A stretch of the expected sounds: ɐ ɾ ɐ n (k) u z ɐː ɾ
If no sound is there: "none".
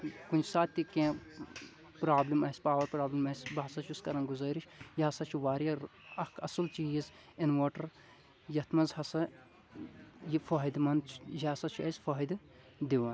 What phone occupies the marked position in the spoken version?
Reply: ɡ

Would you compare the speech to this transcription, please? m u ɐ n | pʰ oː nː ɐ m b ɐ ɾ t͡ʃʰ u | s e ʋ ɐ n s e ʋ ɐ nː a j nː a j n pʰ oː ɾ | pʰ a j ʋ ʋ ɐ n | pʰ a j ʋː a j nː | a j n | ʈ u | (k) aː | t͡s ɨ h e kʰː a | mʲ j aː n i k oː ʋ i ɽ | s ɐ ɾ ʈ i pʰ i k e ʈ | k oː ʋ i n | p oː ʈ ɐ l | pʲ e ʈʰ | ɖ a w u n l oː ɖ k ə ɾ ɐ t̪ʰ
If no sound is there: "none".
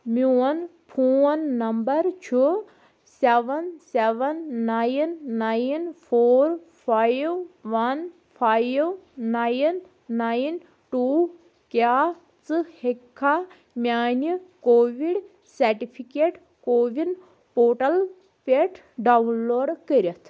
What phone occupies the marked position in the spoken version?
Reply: k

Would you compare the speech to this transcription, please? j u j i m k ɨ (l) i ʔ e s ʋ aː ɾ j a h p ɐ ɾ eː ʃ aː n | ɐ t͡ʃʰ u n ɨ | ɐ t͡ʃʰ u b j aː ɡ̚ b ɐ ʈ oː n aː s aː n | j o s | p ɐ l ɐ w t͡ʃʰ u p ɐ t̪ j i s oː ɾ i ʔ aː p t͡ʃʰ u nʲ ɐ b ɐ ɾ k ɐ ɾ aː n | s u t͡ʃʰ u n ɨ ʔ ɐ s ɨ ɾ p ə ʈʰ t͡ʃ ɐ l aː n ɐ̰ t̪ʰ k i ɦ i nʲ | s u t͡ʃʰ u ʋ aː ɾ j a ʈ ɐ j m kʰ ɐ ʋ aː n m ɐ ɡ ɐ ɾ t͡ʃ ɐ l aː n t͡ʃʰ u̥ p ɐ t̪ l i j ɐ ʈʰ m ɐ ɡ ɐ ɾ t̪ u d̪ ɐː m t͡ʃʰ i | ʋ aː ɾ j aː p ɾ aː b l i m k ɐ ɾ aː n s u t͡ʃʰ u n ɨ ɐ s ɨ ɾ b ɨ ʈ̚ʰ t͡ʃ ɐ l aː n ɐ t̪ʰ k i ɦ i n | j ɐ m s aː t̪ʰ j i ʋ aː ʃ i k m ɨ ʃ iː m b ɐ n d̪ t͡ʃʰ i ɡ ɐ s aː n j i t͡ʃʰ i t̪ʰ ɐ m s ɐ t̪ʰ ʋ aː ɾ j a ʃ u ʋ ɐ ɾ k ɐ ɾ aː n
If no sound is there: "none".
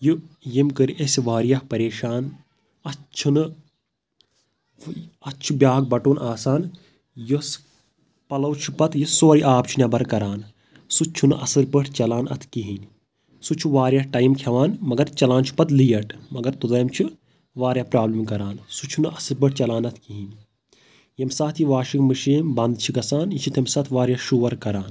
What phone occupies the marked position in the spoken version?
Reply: ɾ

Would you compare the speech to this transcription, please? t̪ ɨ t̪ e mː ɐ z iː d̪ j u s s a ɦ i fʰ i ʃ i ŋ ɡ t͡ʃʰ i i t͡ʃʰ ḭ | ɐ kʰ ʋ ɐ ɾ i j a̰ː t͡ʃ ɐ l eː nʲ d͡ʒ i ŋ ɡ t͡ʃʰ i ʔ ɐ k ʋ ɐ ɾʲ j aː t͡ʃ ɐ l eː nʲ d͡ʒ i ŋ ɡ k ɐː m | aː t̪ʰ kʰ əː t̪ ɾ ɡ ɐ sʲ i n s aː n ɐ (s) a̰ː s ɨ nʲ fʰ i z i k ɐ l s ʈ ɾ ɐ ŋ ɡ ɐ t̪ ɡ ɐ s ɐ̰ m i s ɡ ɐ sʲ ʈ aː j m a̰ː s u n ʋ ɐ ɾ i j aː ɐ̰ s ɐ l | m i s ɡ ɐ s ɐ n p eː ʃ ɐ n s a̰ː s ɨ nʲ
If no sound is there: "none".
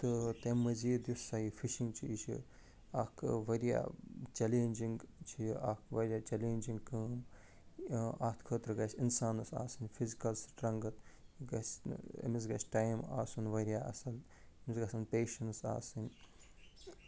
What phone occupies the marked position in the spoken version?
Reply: s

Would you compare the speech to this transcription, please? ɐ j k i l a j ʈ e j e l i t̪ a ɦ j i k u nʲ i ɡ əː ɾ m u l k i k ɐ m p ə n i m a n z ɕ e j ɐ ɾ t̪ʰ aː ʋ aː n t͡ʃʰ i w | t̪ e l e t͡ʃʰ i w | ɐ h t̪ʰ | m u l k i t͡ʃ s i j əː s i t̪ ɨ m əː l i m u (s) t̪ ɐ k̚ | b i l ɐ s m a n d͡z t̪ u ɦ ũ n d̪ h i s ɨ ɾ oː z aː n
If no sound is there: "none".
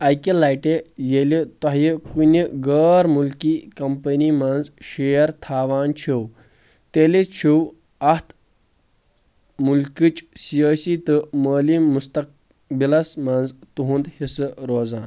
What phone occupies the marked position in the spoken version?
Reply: s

